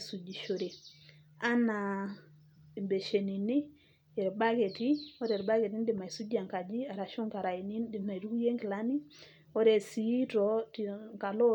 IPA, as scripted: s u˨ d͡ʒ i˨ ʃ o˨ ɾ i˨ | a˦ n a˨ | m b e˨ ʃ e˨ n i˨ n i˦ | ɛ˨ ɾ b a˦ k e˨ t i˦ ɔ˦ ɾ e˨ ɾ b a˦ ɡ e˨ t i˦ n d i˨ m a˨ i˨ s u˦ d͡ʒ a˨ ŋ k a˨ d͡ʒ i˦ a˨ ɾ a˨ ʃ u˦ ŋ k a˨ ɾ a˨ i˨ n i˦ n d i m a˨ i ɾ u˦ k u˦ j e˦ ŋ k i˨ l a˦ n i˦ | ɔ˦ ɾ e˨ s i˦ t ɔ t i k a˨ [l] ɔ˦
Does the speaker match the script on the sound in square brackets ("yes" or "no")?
yes